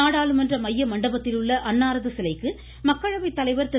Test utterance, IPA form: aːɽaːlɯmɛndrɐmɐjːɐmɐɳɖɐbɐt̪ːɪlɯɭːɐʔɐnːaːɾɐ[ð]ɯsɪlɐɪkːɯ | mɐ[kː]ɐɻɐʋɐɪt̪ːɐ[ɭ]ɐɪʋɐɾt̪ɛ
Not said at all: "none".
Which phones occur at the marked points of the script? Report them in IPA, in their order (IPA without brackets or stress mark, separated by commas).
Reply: ð, kː, l